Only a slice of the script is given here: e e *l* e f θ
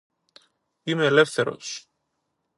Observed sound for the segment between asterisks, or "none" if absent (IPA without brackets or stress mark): l